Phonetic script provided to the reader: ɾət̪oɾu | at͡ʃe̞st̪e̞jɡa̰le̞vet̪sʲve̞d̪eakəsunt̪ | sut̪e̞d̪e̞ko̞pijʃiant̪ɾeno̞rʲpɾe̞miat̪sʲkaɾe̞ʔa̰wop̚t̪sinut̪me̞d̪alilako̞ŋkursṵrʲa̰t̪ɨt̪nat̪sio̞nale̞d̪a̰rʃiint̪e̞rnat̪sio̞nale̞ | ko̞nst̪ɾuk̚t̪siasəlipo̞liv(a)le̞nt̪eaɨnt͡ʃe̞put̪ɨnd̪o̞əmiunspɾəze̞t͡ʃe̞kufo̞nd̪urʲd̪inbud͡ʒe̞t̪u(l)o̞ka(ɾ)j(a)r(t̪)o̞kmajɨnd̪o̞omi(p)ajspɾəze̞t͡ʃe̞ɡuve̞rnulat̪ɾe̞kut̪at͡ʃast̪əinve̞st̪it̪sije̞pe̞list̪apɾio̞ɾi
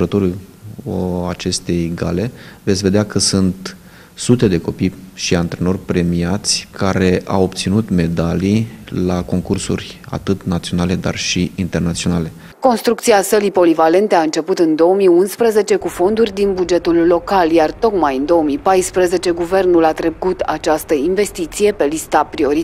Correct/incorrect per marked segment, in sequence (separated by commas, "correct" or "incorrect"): correct, incorrect, incorrect, correct, correct, correct